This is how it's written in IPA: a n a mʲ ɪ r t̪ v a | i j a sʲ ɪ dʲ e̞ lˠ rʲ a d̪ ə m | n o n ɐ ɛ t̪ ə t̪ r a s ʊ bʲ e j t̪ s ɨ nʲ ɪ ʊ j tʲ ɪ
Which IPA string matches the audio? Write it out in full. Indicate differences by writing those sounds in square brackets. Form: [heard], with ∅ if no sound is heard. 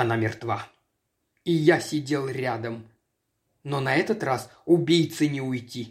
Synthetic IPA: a n a mʲ ɪ r t̪ v a | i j a sʲ ɪ dʲ e̞ lˠ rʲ a d̪ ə m | n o n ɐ ɛ t̪ ə t̪ r a s ʊ bʲ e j t̪ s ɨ nʲ ɪ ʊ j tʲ [i]